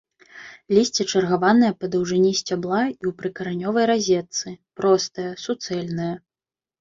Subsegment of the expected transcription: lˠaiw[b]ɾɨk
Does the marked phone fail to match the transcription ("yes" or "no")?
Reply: yes